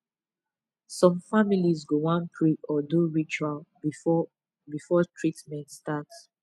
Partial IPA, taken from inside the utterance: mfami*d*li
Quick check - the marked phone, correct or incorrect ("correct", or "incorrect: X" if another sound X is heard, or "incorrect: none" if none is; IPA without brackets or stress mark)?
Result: incorrect: none